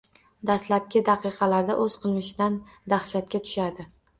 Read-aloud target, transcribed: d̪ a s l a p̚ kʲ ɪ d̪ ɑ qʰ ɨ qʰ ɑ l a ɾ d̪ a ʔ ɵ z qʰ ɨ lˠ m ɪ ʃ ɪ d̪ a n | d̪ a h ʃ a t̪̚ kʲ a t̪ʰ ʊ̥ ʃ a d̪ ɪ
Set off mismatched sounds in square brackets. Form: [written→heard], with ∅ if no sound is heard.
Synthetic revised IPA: d̪ a s l a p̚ kʲ ɪ d̪ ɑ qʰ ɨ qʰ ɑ l a ɾ d̪ a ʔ ɵ z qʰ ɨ lˠ m ɪ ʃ ɪ d̪ a n | d̪ a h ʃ a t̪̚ kʲ a t̪ʰ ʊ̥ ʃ a d̪ ɪ